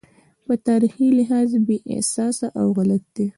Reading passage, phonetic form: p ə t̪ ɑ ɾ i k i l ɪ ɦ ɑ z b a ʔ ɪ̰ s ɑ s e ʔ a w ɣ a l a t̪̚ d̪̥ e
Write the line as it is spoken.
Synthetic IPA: p ə t̪ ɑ ɾ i x i l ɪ ɦ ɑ z b e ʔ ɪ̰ s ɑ s a ʔ a w ɣ a l a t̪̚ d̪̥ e